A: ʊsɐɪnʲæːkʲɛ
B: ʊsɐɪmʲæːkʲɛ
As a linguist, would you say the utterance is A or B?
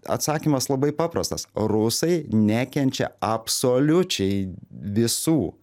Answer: A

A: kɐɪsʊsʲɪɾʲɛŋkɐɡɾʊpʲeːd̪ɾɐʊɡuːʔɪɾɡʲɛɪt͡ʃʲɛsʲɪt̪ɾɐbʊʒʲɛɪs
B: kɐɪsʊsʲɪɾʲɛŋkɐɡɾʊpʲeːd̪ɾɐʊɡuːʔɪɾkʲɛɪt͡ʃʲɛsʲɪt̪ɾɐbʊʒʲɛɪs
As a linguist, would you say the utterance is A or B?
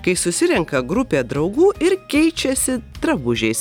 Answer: B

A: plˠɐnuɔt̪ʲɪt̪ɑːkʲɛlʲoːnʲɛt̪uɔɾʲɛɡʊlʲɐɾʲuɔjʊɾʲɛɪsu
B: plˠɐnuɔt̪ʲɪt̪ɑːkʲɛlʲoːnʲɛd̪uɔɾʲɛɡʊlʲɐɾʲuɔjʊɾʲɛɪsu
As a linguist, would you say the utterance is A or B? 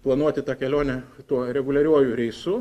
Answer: A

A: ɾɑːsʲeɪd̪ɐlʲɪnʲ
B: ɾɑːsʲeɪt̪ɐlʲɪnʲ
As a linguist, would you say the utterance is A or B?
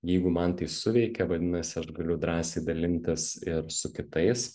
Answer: A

